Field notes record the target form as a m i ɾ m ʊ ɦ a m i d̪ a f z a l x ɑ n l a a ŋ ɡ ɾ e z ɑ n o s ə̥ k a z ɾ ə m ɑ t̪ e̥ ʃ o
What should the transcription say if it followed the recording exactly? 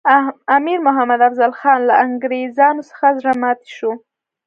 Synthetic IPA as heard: a m i ɾ m ʊ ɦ a m a d̪ a f z a l x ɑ n l a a ŋ ɡ ɾ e z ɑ n o s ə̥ x a z ɾ a m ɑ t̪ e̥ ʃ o

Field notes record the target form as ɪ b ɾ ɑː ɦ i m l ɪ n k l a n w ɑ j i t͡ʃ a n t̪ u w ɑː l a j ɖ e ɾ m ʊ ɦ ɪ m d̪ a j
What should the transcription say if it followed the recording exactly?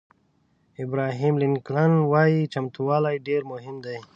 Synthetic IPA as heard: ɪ b ɾ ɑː ɦ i m l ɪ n k l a n w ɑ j i t͡ʃ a m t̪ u w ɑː l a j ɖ e ɾ m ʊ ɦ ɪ m d̪ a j

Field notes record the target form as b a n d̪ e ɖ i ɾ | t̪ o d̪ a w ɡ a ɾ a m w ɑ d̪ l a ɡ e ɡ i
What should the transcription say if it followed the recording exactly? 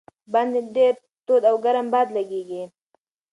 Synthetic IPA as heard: b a n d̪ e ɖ e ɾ | t̪ o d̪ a w ɡ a ɾ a m b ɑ d̪ l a ɡ e ɡ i

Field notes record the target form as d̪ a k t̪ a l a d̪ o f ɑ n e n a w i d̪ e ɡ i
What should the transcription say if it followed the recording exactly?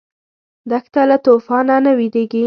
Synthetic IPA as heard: d̪ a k t̪ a l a t̪ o f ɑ n a n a w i d̪ e ɡ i

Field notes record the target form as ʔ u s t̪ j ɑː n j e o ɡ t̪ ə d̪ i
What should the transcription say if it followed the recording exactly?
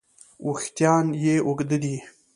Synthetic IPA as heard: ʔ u x t̪ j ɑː n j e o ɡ d̪ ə d̪ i

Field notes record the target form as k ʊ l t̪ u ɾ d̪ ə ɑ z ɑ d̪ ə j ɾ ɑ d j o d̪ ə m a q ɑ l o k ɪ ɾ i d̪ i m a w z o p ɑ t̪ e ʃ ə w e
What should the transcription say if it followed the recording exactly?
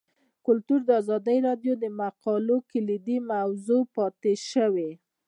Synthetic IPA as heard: k ʊ l t̪ u ɾ d̪ ə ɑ z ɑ d̪ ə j ɾ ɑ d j o d̪ ə m a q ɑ l o k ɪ l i d̪ i m a w z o p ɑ t̪ e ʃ ə w e

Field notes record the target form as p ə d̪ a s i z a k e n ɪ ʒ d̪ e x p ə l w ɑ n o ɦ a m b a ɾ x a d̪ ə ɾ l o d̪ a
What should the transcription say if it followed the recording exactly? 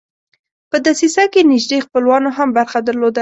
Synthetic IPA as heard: p ə d̪ a s i s a k e n ɪ ʒ d̪ e x p ə l w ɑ n o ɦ a m b a ɾ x a d̪ ə ɾ l o d̪ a

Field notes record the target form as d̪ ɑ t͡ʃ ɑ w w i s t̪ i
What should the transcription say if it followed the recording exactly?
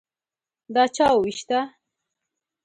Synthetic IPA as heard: d̪ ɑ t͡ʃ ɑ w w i ʃ t̪ a

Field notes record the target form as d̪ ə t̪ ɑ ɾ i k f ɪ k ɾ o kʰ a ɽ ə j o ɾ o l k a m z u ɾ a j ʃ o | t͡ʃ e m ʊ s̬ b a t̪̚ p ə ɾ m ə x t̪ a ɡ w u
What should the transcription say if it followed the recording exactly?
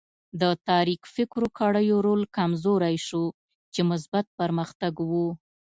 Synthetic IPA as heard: d̪ ə t̪ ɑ ɾ i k f ɪ k ɾ o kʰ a ɽ ə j o ɾ o l k a m z o ɾ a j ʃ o | t͡ʃ e m ʊ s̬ b a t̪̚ p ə ɾ m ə x t̪ a ɡ w u

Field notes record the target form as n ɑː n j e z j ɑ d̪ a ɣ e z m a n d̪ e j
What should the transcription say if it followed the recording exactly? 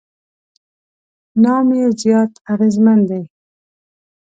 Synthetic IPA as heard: n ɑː m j e z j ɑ t̪ a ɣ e z m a n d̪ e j

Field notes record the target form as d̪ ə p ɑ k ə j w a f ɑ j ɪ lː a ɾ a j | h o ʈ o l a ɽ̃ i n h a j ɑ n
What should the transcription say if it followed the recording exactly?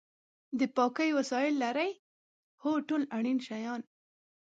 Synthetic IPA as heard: d̪ ə p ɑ k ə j w a s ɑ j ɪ lː a ɾ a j | h o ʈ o l a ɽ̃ i n ʃ a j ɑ n

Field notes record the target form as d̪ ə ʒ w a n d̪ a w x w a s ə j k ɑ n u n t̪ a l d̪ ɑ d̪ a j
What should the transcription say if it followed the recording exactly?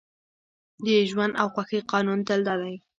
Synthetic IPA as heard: d̪ ə ʒ w a n d̪ a w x w a x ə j q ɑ n u n t̪ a l d̪ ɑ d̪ a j

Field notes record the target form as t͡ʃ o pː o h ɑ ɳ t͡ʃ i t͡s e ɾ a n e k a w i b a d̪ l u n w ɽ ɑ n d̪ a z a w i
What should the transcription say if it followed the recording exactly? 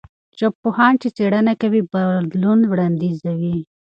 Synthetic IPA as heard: t͡ʃ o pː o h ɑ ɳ t͡ʃ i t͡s e ɽ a n a k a w i b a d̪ l u n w ɽ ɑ n d̪ i z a w i

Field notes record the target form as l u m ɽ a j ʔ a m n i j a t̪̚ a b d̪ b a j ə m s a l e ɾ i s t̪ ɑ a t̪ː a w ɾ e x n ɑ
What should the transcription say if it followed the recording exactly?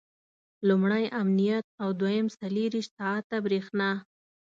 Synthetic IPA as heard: l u m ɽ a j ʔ a m n i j a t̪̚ a w d̪ w a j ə m s a l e ɾ i ʃ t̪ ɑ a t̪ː a b ɾ e x n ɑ

